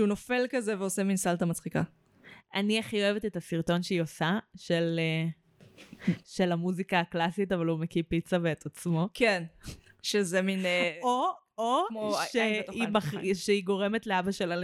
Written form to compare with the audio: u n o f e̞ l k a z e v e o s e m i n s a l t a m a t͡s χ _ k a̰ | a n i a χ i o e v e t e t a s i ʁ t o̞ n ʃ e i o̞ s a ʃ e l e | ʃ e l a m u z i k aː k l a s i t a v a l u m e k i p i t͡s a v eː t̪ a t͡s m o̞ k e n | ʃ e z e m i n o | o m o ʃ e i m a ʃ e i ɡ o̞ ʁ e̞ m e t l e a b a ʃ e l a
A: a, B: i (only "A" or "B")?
B